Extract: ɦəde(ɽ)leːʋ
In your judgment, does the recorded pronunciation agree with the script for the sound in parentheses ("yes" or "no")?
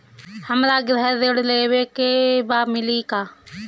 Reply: yes